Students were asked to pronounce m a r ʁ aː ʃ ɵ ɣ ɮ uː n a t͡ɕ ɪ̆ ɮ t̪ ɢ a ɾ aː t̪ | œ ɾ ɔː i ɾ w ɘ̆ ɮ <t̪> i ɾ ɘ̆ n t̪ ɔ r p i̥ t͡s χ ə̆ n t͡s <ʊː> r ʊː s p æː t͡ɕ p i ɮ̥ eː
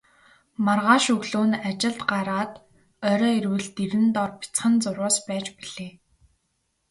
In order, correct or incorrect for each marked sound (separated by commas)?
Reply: correct, incorrect